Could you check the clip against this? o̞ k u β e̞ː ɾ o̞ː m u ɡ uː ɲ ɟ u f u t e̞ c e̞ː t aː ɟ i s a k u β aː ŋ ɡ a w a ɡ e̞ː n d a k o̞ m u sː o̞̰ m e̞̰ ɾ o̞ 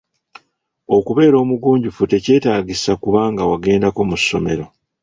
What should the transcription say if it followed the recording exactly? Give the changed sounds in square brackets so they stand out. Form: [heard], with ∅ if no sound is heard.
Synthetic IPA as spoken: o̞ k u β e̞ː ɾ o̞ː m u ɡ uː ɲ ɟ u f u t e̞ c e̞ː t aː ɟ i s a k u β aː ŋ ɡ a w a ɡ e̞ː n d a k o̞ m u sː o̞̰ m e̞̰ ɾ o̞